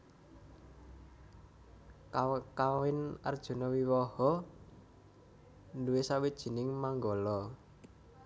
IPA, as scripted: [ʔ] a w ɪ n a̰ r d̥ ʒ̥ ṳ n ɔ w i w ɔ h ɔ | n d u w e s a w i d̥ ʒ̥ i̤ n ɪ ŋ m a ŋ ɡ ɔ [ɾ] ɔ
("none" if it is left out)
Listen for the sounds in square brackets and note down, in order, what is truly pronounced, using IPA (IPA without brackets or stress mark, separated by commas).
k, l